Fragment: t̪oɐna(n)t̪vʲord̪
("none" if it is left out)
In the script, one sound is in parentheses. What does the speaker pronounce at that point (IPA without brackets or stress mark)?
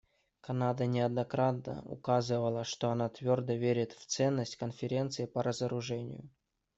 none